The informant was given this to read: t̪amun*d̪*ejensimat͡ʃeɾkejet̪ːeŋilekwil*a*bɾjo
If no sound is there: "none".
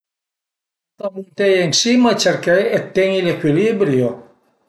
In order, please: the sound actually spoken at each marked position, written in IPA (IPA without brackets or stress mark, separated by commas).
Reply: t̪, i